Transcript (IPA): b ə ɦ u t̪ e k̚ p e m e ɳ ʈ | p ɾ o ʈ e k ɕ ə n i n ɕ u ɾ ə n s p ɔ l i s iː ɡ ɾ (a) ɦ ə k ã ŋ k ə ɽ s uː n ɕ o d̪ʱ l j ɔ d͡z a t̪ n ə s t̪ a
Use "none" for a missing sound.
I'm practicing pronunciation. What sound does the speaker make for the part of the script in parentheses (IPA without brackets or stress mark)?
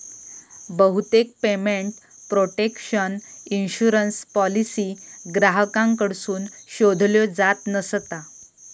a